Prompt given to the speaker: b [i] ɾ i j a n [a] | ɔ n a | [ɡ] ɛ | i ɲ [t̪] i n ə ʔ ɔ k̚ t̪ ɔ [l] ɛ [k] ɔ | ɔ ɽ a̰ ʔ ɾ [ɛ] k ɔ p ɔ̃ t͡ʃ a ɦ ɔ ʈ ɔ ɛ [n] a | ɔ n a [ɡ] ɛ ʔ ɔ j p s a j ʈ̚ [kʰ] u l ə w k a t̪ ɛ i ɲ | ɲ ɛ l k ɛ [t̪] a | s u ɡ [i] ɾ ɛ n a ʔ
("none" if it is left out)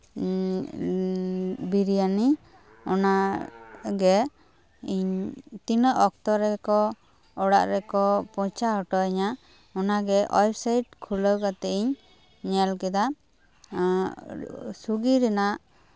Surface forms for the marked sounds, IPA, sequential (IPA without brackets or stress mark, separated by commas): i, i, ɡ, t̪, ɾ, k, ɛ, ɲ, ɡ, kʰ, d̪, i